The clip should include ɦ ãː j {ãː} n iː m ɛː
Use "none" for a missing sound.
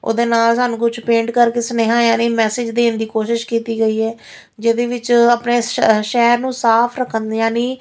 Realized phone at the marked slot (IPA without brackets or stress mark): aː